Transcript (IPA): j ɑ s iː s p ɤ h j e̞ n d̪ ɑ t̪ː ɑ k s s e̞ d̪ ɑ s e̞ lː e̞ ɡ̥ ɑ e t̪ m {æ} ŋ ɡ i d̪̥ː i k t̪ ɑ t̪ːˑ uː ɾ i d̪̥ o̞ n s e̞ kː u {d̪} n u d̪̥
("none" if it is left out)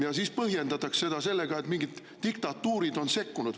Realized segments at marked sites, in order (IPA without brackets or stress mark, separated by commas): i, none